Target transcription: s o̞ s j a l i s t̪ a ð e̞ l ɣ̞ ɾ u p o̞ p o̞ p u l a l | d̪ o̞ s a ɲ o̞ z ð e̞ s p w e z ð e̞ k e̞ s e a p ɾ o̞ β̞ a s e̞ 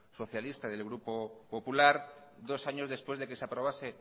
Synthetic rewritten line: s o̞ θ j a l i s t̪ a ð e̞ l ɣ̞ ɾ u p o̞ p o̞ p u l a ɾ | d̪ o̞ s a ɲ o̞ z ð e̞ s p w e z ð e̞ k e̞ s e a p ɾ o̞ β̞ a s e̞